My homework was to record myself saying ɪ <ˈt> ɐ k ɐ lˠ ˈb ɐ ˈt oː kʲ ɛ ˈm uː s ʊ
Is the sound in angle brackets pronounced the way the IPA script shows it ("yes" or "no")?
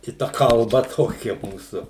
yes